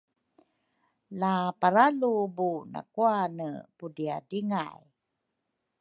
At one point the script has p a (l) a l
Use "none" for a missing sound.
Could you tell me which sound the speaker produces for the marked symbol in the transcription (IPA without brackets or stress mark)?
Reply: ɾ